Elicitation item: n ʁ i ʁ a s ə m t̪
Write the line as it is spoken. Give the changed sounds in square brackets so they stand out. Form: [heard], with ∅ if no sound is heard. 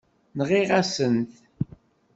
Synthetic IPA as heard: n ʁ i ʁ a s ə [n] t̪